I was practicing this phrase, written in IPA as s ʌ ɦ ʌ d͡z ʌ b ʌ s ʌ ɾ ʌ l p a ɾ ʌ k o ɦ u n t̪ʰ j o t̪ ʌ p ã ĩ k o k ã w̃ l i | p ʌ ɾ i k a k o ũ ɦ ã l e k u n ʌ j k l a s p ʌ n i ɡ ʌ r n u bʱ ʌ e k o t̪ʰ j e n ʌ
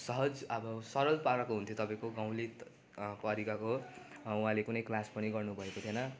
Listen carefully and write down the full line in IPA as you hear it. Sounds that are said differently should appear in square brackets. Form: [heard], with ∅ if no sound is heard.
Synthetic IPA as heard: s ʌ ɦ ʌ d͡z ʌ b ʌ s ʌ ɾ ʌ l p a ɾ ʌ k o ɦ u n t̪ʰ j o t̪ ʌ p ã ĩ k o [ɡ] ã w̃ l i | p ʌ ɾ i k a k o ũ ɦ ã l e k u n ʌ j k l a s p ʌ n i ɡ ʌ r n u bʱ ʌ e k o t̪ʰ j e n ʌ

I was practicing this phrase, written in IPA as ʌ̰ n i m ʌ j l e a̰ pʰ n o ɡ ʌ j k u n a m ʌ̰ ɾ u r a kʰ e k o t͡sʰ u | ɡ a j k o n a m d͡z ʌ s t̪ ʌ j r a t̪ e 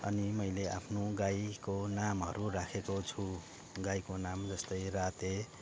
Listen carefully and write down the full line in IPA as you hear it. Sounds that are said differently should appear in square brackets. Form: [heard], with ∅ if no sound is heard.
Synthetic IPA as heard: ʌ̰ n i m ʌ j l e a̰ pʰ n o ɡ [a] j k [o] n a m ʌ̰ ɾ u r a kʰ e k o t͡sʰ u | ɡ a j k o n a m d͡z ʌ s t̪ ʌ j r a t̪ e

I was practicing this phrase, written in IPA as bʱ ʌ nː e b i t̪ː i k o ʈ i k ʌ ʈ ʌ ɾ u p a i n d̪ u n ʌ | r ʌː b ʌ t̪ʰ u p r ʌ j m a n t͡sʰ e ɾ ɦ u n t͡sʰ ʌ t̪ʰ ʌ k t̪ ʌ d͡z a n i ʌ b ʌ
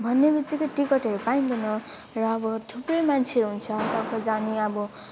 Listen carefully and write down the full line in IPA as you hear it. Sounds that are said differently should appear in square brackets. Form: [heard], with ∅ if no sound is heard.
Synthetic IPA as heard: bʱ ʌ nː e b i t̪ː i k o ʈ i k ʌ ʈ ʌ ɾ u p a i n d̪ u n ʌ | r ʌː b ʌ t̪ʰ u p r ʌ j m a n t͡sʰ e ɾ ɦ u n t͡sʰ ʌ [t̪] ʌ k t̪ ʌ d͡z a n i ʌ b ʌ

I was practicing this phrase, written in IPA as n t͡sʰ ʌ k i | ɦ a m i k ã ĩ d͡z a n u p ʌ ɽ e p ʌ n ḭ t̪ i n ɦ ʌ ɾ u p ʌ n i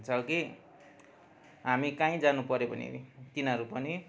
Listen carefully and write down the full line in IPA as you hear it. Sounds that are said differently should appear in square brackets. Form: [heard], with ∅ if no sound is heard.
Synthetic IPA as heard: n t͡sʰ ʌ k i | ɦ a m i k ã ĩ d͡z a n u p ʌ [ɾ] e p ʌ n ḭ t̪ i n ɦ ʌ ɾ u p ʌ n i

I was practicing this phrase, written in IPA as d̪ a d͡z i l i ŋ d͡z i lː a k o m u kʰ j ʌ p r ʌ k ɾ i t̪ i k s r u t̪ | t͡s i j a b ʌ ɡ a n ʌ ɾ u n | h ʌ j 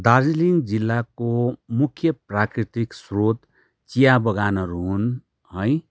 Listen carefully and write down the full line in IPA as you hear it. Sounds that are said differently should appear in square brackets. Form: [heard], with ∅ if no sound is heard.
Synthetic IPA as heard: d̪ a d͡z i l i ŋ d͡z i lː a k o m u kʰ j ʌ p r [a] k ɾ i t̪ i k s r [o] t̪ | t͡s i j a b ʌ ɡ a n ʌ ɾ u n | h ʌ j

